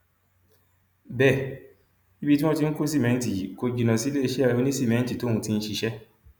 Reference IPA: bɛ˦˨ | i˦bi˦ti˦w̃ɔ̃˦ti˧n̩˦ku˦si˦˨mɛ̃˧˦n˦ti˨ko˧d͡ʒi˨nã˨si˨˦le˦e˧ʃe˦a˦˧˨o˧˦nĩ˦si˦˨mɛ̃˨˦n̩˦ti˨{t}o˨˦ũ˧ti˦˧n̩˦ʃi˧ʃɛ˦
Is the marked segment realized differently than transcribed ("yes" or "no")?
no